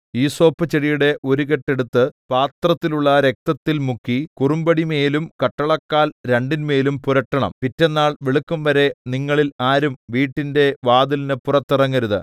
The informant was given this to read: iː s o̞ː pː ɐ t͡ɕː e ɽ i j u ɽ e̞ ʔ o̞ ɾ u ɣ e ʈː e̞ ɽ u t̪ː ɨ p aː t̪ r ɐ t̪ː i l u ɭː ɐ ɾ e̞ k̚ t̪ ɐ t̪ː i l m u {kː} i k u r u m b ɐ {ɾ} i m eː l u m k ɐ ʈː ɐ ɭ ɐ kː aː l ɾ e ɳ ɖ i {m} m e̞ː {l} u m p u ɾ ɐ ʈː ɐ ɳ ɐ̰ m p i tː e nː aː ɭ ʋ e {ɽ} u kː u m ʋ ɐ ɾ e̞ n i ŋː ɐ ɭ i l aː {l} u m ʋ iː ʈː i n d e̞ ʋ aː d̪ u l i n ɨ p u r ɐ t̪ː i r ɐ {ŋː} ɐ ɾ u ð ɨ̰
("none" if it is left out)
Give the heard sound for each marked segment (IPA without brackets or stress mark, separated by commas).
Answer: kː, ɽ, n, l, ɭ, ɾ, ŋː